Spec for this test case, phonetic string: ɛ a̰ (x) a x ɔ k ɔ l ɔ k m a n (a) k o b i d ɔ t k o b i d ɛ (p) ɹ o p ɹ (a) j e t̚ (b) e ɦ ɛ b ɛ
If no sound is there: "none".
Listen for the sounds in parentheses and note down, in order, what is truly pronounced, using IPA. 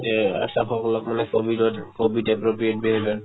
s, ɛ, p, i, b

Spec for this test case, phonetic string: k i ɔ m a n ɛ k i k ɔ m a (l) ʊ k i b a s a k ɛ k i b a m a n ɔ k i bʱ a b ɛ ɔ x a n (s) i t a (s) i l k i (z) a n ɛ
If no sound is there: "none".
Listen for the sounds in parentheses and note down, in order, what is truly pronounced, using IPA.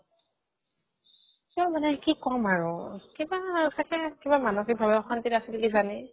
ɹ, t, s, z

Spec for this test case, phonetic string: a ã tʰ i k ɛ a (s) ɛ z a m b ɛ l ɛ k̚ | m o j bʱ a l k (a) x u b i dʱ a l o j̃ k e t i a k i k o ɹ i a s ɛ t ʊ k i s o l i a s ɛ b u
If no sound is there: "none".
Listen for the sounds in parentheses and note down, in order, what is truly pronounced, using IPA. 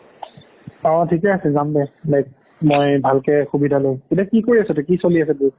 s, ɛ

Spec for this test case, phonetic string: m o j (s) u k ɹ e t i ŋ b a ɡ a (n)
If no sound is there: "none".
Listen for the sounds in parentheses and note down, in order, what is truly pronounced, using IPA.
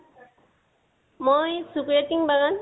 s, n

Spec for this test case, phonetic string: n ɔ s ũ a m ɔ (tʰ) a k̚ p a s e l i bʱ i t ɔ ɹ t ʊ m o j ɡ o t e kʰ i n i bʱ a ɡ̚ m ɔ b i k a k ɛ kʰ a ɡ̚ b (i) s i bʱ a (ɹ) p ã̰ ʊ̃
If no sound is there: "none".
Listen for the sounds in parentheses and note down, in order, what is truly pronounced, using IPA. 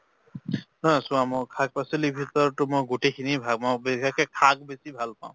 kʰ, e, l

